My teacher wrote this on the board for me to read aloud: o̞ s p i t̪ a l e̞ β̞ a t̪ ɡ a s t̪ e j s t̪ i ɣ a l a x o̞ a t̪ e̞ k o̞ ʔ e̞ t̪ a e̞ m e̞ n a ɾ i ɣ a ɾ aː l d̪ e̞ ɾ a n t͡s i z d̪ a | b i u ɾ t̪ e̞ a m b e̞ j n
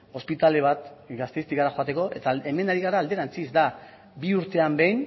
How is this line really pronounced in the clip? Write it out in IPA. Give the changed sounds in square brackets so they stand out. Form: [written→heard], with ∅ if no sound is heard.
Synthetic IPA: o̞ s p i t̪ a l e̞ β̞ a t̪ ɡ a s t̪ e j s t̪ i ɣ a [l→ɾ] a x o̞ a t̪ e̞ k o̞ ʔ e̞ t̪ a e̞ m e̞ n a ɾ i ɣ a ɾ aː l d̪ e̞ ɾ a n t͡s i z d̪ a | b i u ɾ t̪ e̞ a m b e̞ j n